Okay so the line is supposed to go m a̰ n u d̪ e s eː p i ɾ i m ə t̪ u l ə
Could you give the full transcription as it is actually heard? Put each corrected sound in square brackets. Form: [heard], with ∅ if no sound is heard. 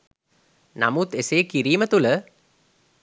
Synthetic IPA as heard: [n] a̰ [m] u [t̪] e s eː [k] i ɾ [iː] m ə t̪ u l ə